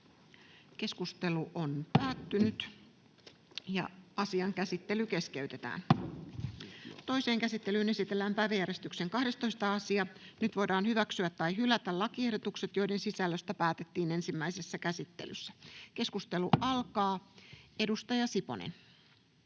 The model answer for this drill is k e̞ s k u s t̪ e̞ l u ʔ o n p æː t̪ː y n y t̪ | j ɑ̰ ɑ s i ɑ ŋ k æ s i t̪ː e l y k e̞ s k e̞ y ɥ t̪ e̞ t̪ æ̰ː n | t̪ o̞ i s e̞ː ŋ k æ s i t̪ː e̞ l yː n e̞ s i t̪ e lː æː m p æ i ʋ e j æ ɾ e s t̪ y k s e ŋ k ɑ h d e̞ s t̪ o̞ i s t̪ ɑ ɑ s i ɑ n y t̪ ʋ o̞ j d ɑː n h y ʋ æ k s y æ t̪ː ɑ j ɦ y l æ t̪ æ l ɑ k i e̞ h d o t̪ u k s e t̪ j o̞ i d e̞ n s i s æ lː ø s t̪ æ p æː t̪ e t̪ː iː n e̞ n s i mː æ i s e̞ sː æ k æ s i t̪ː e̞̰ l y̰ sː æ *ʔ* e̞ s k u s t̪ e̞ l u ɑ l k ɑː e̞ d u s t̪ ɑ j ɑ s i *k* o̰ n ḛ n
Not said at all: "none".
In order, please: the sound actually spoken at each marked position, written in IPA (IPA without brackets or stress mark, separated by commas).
k, p